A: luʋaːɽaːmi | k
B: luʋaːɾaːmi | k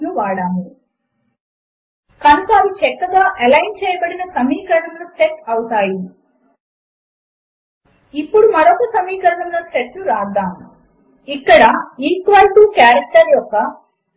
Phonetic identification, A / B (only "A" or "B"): A